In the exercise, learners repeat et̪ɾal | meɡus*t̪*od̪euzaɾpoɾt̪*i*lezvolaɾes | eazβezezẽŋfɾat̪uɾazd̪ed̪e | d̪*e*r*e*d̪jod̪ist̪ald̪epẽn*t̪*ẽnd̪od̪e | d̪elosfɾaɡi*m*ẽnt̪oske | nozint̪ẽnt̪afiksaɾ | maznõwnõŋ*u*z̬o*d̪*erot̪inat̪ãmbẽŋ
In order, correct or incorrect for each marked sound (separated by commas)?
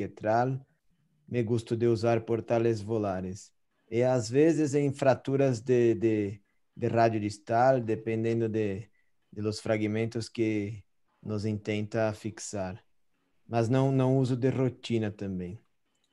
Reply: correct, incorrect, correct, incorrect, incorrect, correct, correct, correct